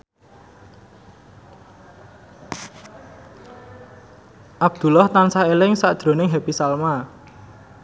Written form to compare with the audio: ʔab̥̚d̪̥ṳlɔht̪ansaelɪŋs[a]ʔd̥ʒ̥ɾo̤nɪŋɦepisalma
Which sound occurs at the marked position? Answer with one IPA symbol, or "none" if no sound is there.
a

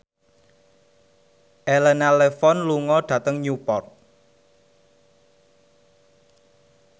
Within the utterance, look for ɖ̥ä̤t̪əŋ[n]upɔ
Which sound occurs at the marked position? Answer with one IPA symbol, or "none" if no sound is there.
ɲ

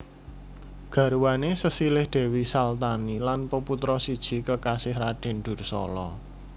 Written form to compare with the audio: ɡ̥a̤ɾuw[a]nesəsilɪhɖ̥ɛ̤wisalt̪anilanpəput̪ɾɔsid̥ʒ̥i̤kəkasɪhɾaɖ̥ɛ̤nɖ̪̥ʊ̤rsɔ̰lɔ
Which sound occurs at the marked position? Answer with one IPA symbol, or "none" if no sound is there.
a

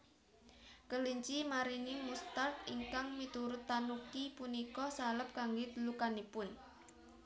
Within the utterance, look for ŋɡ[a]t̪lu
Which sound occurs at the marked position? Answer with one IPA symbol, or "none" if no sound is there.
e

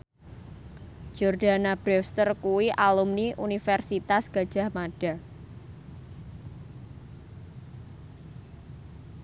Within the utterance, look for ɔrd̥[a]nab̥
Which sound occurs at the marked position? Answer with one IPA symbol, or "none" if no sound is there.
a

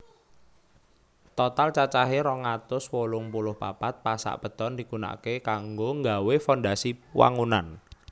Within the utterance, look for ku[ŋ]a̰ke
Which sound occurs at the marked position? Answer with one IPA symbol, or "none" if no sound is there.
n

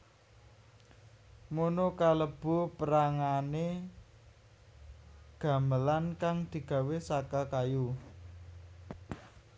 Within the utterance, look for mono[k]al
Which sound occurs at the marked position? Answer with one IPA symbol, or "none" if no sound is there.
k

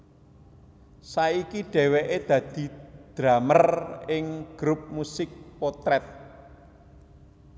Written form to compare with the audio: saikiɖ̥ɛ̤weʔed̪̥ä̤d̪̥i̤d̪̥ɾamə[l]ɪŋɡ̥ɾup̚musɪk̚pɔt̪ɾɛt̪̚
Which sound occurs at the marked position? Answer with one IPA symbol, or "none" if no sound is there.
r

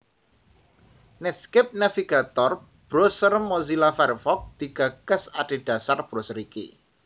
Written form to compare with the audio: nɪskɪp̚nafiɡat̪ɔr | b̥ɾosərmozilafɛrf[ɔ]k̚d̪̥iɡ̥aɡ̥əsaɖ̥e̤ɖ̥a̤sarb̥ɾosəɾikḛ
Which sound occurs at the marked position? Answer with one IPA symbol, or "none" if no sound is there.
ɔ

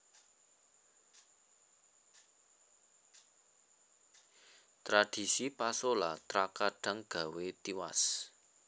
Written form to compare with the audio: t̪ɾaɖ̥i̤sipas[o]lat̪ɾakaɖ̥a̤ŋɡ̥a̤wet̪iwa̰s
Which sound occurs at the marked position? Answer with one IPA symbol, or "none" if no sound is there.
o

